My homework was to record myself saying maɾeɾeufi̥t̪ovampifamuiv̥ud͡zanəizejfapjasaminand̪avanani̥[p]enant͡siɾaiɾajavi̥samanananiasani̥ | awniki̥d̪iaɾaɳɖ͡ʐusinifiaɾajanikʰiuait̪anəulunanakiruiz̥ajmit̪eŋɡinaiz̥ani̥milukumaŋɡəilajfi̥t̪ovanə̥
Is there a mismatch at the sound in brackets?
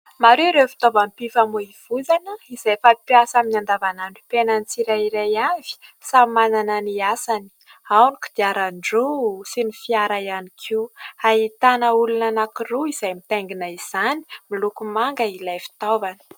no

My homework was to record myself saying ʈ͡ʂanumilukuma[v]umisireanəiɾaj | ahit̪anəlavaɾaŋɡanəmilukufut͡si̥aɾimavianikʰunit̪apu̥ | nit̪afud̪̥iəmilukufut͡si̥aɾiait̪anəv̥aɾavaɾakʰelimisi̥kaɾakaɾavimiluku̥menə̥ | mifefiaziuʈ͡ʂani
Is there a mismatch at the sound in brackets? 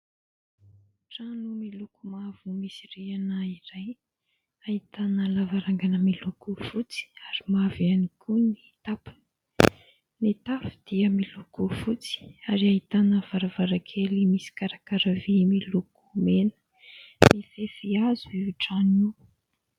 no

